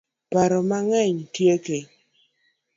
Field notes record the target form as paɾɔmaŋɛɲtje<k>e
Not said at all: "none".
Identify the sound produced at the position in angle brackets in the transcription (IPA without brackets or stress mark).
k